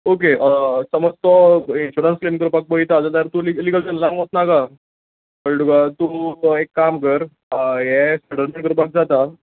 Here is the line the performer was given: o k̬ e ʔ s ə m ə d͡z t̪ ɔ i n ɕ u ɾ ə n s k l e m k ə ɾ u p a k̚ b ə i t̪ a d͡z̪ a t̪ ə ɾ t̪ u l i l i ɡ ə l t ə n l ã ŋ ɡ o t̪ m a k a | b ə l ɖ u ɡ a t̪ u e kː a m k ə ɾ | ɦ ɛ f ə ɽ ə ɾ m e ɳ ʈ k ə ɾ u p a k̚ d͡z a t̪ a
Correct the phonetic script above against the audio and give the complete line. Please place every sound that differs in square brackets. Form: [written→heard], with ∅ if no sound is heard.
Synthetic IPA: o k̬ e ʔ s ə m ə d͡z t̪ ɔ i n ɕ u ɾ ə n s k l e m k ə ɾ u p a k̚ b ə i t̪ a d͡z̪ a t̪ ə ɾ t̪ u l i l i ɡ ə l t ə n l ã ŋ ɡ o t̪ [m→n] a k a | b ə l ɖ u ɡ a t̪ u e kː a m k ə ɾ | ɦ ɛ [f→s] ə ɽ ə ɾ m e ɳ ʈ k ə ɾ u p a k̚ d͡z a t̪ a